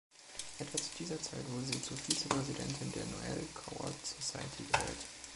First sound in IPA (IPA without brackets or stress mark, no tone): ʔ